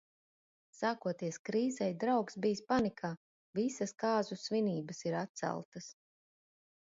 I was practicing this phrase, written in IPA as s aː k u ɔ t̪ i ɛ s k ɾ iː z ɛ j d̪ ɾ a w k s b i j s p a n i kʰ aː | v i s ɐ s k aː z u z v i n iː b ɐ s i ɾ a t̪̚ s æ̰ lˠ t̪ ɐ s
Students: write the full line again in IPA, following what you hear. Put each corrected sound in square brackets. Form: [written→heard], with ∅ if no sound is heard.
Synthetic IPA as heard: s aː k u ɔ t̪ i ɛ s k ɾ iː z ɛ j d̪ ɾ a w k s b i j s p a n i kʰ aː | v i s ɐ s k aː z u [z→s] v i n iː b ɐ s i ɾ a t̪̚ s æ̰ lˠ t̪ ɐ s